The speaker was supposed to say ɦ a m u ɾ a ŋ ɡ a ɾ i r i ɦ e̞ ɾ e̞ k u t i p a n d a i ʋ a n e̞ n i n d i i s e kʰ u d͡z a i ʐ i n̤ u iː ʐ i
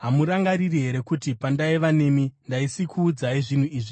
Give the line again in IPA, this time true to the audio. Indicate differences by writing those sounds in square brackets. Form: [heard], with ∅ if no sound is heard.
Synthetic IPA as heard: ɦ a m u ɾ a ŋ ɡ a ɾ i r i ɦ e̞ ɾ e̞ k u t i p a n d a i ʋ a n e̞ [m] i n d [a] i s [i] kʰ [uː] d͡z a i ʐ i n̤ u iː ʐ i